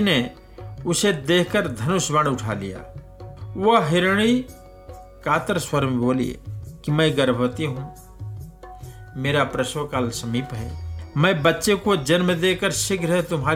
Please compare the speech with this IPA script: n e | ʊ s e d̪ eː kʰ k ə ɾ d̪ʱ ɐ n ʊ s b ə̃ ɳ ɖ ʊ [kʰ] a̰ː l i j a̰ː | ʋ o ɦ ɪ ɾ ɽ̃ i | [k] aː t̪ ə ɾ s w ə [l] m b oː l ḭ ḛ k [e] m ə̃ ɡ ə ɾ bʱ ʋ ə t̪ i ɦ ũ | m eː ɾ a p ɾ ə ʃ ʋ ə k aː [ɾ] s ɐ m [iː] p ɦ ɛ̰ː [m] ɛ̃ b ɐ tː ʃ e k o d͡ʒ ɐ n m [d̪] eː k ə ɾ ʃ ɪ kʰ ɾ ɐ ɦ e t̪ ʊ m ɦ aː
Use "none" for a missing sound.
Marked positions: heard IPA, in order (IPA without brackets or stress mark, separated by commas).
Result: ʈʰ, k, ɾ, i, l, iː, m, d̪